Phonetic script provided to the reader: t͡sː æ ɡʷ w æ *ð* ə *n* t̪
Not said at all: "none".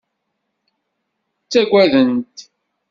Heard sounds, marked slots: ð, n

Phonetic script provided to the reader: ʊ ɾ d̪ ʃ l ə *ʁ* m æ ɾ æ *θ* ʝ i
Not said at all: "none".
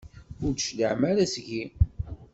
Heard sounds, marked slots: ʕ, s

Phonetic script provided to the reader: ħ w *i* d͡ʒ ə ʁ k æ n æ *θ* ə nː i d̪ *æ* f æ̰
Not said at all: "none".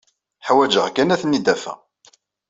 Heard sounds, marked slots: æ, θ, æ

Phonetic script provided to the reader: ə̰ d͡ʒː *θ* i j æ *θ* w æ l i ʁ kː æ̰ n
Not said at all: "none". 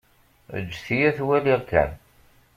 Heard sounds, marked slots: θ, θ

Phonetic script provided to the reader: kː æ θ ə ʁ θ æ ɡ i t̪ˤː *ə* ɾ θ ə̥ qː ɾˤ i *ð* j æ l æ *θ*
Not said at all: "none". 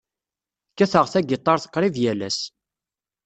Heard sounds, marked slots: ɑ, v, s

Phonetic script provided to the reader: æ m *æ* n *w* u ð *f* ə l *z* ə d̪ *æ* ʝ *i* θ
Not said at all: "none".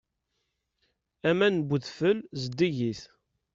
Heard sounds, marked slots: æ, b, f, z, i, i

